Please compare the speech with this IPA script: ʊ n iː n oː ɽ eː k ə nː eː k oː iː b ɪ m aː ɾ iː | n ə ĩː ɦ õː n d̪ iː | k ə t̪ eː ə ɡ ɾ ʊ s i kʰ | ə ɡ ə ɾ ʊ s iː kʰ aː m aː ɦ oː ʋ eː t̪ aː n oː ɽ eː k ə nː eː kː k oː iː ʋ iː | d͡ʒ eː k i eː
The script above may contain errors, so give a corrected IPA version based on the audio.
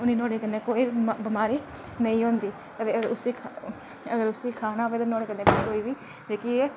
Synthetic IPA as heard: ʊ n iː n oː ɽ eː k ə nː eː k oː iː b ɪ m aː ɾ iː | n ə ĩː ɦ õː n d̪ iː | k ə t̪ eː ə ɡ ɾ ʊ s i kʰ | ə ɡ ə ɾ ʊ s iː kʰ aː n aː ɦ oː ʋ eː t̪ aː n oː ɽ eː k ə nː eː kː k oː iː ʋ iː | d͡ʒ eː k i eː